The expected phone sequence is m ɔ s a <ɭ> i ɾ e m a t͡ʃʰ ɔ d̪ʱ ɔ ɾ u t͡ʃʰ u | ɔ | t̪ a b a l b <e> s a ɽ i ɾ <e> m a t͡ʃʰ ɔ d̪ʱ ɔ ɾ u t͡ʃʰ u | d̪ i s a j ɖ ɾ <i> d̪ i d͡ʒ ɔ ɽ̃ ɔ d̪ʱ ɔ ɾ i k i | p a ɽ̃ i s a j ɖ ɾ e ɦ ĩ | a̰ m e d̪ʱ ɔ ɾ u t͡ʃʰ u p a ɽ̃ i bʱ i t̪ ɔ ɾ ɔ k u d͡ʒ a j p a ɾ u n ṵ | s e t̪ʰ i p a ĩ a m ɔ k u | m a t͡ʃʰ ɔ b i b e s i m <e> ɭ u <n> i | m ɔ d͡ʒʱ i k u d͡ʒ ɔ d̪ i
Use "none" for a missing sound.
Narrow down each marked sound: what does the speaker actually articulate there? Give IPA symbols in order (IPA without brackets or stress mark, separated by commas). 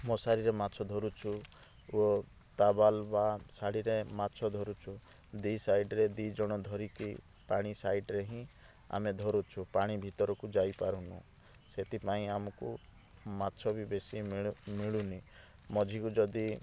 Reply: ɾ, a, e, e, i, n